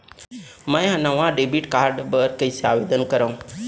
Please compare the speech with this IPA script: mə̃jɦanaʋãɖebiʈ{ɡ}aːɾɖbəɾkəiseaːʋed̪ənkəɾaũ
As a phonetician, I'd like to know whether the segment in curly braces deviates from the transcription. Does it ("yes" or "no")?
yes